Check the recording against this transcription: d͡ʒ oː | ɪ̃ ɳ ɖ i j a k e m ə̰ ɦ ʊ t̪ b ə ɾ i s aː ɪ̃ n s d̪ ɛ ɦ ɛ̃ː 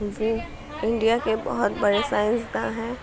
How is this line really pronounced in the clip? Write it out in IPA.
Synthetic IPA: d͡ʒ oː | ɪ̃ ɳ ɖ i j a k e b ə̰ ɦ ʊ t̪ b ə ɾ e s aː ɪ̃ n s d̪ a ɦ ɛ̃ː